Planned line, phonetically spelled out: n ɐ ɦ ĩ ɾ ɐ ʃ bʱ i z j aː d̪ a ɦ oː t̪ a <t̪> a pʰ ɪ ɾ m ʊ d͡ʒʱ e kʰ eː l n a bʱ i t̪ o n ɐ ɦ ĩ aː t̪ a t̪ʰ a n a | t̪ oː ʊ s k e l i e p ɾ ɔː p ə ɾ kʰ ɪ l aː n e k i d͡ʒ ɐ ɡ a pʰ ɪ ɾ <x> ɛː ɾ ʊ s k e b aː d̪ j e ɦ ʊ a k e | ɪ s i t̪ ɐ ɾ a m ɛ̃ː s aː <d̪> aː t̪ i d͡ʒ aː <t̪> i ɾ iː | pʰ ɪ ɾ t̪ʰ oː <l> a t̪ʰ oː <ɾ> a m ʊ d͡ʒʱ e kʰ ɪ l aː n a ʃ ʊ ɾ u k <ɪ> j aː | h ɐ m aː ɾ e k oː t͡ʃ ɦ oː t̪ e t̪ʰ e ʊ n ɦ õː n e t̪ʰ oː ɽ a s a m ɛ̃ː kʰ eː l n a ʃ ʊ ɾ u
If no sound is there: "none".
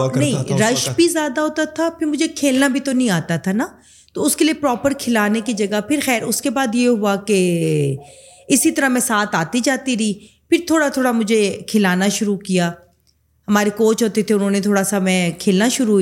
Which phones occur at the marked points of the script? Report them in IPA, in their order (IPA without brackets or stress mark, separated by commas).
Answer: t̪ʰ, x, t̪, t̪, ɽ, ɽ, i